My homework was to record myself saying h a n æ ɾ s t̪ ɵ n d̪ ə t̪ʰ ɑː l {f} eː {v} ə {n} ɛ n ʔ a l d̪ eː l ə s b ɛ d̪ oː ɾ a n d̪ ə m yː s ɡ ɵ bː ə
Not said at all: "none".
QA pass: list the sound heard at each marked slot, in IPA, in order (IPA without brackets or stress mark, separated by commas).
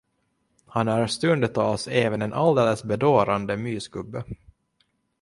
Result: s, v, n